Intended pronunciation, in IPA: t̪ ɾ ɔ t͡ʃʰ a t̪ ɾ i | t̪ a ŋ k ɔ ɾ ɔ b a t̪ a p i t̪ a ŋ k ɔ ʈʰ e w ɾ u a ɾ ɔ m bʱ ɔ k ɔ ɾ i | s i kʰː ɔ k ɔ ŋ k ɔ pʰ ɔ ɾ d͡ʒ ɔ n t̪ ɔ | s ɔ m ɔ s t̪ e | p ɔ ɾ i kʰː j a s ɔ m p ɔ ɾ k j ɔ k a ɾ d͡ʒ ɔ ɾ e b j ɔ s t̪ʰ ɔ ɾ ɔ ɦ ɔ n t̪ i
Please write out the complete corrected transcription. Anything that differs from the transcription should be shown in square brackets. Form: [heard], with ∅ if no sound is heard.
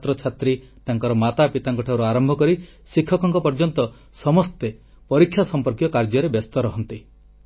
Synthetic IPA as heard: t̪ ɾ ɔ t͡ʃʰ a t̪ ɾ i | t̪ a ŋ k ɔ ɾ ɔ [m] a t̪ a p i t̪ a ŋ k ɔ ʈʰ [a] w ɾ u a ɾ ɔ m bʱ ɔ k ɔ ɾ i | s i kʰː ɔ k ɔ ŋ k ɔ [p] ɔ ɾ d͡ʒ ɔ n t̪ ɔ | s ɔ m ɔ s t̪ e | p ɔ ɾ i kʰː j a s ɔ m p ɔ ɾ k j ɔ k a ɾ d͡ʒ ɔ ɾ e b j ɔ s [t̪] ɔ ɾ ɔ ɦ ɔ n t̪ i